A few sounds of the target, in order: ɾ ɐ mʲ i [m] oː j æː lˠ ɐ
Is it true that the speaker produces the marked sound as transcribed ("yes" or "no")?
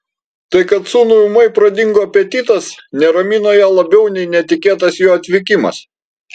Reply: no